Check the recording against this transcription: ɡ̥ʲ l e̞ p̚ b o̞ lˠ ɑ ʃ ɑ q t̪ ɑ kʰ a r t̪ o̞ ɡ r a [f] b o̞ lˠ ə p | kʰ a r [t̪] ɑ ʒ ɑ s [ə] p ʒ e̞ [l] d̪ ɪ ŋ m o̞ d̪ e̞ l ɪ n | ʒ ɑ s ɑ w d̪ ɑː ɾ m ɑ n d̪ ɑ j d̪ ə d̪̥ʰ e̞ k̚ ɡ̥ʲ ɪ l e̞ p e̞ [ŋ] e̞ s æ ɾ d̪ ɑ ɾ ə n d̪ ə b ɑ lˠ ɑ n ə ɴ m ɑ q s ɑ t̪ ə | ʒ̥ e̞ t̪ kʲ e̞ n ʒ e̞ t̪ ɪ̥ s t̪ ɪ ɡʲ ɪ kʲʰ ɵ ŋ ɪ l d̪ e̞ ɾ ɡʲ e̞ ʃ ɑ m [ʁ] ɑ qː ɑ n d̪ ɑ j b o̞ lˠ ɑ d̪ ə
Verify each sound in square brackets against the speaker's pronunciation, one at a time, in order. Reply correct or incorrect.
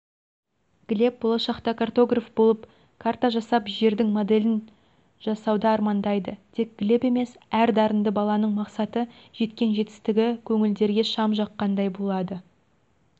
correct, correct, incorrect: ɑ, incorrect: ɾ, incorrect: m, incorrect: ʒ

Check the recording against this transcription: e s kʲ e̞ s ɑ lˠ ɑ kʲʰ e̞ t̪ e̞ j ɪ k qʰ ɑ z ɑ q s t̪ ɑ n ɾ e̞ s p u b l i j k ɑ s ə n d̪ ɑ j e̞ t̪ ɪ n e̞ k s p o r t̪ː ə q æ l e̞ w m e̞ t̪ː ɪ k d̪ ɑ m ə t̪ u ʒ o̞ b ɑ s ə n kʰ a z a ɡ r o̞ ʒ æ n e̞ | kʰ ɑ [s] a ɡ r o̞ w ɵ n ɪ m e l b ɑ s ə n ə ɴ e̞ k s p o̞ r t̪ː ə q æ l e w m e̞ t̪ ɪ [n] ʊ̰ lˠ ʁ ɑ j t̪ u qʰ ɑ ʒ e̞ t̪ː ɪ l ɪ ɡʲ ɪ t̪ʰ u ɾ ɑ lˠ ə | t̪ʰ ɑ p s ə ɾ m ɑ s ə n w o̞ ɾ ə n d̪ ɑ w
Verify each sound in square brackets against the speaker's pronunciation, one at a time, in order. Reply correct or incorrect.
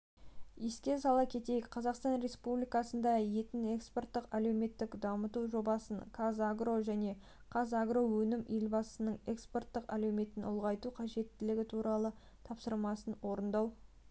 incorrect: z, correct

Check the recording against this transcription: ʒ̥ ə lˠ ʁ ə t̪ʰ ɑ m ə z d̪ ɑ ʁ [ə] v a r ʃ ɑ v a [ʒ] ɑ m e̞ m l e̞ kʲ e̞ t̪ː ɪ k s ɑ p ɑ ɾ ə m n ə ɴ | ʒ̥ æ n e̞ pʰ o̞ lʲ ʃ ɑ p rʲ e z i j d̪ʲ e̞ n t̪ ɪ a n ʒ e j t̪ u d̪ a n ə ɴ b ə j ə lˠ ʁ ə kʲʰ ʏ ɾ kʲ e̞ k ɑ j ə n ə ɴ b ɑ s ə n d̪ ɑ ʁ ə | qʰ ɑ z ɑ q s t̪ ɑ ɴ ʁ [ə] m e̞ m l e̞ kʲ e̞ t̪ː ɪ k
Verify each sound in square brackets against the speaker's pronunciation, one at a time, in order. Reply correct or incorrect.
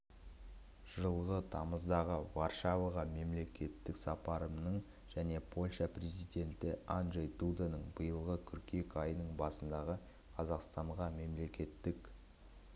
correct, incorrect: ʁ, incorrect: ɑ

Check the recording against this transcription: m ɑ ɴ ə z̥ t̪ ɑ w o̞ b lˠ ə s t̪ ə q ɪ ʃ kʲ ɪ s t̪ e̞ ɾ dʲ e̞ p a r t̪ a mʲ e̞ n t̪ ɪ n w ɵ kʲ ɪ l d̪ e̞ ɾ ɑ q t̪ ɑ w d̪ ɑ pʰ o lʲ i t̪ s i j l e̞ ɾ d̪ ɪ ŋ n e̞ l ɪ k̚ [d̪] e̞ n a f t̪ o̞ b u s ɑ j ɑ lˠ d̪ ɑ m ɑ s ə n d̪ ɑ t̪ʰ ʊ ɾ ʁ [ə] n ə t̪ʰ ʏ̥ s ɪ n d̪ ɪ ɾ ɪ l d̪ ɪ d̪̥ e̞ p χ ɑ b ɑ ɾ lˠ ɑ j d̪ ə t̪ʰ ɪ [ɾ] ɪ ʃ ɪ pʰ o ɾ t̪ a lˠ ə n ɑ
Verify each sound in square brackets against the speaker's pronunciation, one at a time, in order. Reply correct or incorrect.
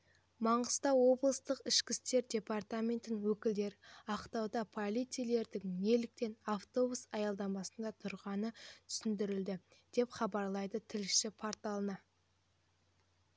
incorrect: t̪, incorrect: ɑ, incorrect: l

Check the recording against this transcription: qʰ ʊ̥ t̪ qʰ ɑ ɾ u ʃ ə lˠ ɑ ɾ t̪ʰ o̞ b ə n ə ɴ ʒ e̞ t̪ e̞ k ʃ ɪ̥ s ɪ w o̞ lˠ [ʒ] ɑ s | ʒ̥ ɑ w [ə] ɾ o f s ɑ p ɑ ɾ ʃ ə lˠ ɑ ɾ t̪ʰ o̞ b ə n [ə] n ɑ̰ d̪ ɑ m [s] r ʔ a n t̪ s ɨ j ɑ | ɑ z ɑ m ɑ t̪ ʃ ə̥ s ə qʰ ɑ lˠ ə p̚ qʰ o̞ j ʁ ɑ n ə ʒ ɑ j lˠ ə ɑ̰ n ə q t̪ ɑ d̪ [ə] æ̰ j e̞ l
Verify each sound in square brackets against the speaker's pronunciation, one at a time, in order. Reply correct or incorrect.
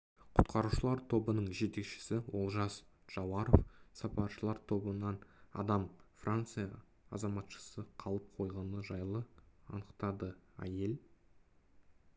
correct, incorrect: ɑ, incorrect: ɑ, incorrect: f, correct

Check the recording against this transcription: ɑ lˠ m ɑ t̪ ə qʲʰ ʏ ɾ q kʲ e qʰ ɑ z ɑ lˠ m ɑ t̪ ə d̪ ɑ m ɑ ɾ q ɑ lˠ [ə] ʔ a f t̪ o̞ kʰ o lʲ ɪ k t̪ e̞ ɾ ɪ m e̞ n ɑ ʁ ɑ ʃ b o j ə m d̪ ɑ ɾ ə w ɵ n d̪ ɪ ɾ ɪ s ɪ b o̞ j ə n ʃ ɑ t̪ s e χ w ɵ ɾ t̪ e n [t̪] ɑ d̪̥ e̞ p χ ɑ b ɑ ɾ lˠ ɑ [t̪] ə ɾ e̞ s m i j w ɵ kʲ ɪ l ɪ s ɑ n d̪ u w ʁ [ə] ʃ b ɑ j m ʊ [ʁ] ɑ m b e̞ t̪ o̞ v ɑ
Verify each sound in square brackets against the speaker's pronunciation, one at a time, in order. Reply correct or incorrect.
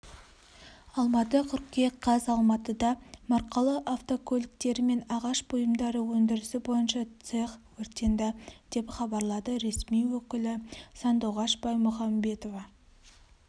correct, incorrect: d̪, incorrect: d̪, incorrect: ɑ, incorrect: χ

